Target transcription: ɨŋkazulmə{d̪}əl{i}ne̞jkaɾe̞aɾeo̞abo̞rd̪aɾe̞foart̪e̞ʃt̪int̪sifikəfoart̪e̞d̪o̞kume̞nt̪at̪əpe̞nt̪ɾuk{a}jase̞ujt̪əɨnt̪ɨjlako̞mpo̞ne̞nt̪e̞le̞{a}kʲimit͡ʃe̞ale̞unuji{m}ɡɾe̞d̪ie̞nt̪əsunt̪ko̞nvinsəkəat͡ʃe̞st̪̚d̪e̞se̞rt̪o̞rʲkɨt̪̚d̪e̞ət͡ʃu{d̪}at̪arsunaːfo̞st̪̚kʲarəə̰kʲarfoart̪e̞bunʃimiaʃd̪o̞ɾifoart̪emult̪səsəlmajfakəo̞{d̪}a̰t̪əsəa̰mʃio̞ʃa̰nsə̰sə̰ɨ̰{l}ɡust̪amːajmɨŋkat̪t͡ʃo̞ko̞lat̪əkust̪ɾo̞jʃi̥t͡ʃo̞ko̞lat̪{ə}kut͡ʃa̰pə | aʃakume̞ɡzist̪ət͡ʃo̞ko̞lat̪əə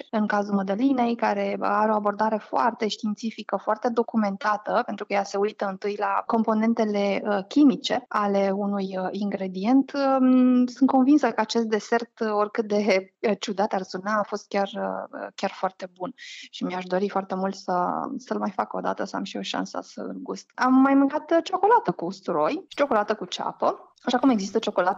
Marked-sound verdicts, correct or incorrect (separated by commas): correct, correct, incorrect, incorrect, incorrect, correct, correct, correct, correct